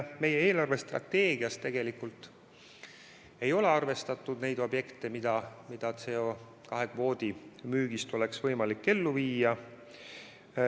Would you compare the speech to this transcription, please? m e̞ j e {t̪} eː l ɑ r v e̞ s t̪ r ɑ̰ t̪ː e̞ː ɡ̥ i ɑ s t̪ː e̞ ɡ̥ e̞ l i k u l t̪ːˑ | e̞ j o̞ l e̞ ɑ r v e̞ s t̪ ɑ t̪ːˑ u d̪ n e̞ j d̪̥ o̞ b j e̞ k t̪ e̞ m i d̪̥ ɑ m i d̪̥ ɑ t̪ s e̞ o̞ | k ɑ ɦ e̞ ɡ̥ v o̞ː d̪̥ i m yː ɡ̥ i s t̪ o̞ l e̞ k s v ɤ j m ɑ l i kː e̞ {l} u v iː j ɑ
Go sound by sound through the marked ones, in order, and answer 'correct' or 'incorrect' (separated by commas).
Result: incorrect, incorrect